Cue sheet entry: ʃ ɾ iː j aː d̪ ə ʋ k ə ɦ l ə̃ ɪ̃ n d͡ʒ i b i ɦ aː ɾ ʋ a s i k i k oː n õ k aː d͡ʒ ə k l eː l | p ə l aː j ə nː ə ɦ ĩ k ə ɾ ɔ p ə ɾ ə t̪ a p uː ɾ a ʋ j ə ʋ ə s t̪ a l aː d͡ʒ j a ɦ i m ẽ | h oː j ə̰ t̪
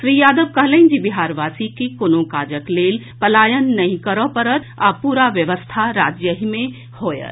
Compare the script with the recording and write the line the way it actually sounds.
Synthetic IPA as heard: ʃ ɾ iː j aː d̪ ə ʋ k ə ɦ l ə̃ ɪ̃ n d͡ʒ i b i ɦ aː ɾ ʋ a s i k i k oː n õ k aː d͡ʒ ə k l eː l | p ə l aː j ə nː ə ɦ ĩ k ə ɾ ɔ p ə ɾ ə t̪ a p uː ɾ a ʋ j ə ʋ ə s t̪ʰ a ɾ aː d͡ʒ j ə ɦ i m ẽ | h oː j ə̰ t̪